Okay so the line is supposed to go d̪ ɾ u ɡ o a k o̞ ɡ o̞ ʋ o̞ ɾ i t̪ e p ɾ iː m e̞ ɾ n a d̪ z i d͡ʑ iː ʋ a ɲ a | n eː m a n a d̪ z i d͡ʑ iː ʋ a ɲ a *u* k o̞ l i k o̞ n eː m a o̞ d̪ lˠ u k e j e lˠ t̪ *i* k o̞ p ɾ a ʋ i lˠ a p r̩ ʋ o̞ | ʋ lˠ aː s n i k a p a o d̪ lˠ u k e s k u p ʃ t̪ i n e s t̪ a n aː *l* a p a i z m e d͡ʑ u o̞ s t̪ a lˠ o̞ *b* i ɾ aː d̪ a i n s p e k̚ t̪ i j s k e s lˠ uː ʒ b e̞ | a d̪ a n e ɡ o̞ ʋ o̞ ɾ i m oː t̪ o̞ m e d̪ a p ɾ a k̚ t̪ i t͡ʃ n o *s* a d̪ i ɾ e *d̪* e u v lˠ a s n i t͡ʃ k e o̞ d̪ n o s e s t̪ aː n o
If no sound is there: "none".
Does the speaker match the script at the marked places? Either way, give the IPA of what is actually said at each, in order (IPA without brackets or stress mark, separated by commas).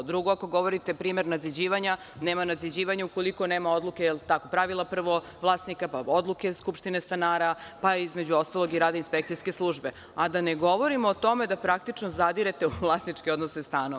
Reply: u, a, ɾ, ɡ, z, t̪